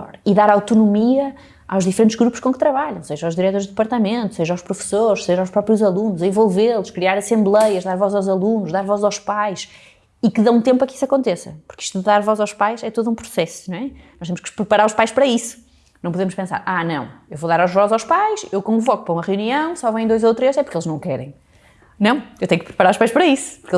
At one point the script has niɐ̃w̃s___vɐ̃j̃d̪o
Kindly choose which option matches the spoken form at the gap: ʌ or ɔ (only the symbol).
ɔ